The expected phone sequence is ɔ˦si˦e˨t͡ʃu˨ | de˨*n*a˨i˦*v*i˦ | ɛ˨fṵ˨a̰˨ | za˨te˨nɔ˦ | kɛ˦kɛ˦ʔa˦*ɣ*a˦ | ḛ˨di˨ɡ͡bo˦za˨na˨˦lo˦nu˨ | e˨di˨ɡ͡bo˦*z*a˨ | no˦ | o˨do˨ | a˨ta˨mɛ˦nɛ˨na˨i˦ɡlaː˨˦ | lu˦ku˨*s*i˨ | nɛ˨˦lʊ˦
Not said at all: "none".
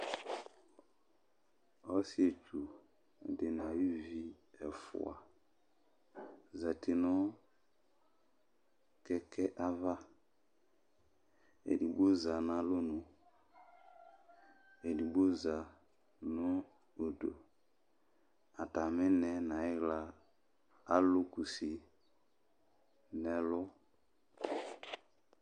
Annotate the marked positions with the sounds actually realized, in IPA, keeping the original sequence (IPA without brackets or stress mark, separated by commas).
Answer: n, v, v, z, s